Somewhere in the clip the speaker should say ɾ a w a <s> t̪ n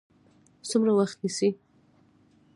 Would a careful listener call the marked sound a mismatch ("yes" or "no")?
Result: yes